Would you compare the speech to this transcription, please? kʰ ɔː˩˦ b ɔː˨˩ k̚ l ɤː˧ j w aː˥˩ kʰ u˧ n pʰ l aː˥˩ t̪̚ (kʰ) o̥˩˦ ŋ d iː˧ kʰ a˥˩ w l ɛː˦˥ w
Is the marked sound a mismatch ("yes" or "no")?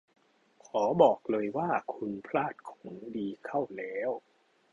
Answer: no